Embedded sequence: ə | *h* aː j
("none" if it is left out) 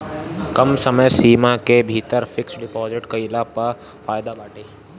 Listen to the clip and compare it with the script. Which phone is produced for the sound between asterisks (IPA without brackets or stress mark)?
f